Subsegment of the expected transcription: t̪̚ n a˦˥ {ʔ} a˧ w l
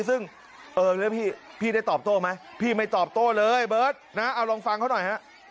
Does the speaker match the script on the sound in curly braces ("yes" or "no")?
yes